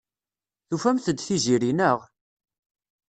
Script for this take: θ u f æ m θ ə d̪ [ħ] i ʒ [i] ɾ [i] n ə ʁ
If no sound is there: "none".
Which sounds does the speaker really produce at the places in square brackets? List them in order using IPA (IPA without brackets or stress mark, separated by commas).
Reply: θ, i, i